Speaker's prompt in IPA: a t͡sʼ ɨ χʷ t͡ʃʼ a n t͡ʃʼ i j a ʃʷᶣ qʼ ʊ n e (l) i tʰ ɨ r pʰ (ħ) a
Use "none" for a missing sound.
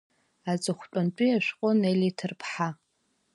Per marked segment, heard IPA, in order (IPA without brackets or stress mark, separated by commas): l, ħ